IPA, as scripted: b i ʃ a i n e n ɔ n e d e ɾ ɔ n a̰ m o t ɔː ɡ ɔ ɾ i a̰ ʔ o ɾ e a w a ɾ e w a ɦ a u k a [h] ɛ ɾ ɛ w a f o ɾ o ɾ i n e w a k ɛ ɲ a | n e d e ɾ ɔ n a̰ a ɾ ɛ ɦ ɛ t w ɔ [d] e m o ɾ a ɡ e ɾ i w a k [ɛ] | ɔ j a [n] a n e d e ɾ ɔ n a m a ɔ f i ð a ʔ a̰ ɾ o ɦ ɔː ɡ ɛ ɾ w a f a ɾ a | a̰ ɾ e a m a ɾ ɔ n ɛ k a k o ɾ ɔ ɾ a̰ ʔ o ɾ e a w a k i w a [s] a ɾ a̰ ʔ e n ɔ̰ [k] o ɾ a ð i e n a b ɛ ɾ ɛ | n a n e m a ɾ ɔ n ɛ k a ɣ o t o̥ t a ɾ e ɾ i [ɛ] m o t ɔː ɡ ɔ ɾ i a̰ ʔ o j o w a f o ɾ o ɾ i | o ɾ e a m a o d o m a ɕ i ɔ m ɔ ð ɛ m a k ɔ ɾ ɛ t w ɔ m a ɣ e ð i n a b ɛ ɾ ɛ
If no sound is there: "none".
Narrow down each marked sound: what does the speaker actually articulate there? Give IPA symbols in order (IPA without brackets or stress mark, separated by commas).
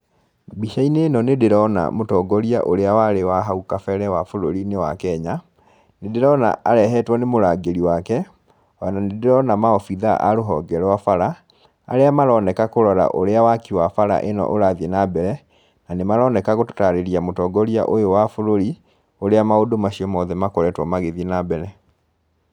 f, n, ɛ, n, f, ʔ, a